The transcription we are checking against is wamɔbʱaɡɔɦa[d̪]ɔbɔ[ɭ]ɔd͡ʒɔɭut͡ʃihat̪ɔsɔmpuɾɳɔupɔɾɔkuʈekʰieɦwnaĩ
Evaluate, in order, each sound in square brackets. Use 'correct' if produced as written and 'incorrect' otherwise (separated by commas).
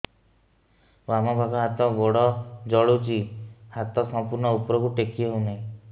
incorrect, incorrect